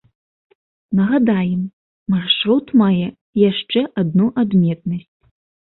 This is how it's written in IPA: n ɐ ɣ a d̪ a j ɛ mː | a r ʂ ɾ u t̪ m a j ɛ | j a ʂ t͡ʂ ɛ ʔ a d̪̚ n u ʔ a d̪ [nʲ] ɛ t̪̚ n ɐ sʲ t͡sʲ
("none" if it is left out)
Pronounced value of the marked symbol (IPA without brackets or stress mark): mʲ